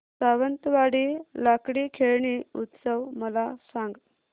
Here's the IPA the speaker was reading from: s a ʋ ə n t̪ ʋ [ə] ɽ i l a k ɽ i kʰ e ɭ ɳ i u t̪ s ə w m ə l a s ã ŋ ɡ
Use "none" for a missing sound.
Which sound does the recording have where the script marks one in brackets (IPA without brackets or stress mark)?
a